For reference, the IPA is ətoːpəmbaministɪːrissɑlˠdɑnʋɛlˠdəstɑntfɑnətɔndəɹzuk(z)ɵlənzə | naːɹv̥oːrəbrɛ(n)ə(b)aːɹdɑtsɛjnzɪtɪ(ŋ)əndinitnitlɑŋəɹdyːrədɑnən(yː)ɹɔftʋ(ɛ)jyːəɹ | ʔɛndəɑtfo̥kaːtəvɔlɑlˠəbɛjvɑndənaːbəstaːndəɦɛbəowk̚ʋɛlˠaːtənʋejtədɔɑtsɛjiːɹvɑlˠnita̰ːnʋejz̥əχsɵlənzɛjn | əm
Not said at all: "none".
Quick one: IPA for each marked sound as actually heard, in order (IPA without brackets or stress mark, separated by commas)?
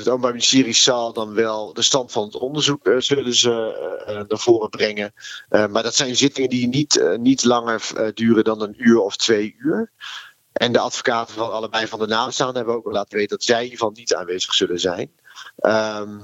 z, ŋ, m, ŋ, yː, e